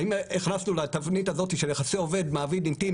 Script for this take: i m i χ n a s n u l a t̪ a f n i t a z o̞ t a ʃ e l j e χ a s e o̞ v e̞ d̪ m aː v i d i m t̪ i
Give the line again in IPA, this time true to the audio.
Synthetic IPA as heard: i m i χ n a s n u l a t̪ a v n i t a z o̞ t i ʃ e l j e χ a s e o̞ v e̞ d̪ m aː v i d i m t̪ i